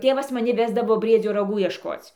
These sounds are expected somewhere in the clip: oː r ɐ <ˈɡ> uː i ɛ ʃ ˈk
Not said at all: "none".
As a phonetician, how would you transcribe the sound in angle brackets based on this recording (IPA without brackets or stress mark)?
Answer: ɡ